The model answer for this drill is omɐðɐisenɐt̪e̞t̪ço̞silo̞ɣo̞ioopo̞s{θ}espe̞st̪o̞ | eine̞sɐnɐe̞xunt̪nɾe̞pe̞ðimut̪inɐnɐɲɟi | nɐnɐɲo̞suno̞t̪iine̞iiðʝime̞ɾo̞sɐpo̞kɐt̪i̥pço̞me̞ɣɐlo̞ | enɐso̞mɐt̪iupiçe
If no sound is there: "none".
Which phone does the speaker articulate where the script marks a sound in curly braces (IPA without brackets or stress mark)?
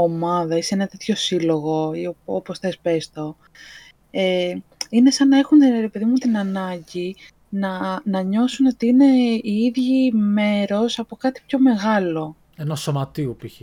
θ